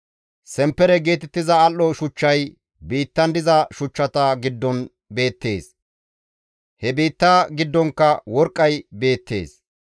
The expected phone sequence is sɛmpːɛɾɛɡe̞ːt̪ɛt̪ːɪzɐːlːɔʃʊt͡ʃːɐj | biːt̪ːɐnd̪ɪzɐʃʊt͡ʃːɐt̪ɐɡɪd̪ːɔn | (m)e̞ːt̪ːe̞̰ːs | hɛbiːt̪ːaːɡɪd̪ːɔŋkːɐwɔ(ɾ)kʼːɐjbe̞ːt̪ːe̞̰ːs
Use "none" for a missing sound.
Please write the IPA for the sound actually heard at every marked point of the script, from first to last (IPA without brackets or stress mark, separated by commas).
b, ɾ